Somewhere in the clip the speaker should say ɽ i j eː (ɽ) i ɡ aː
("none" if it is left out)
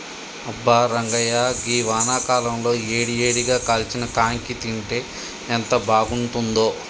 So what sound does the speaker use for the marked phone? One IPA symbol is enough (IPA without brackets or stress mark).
ɽ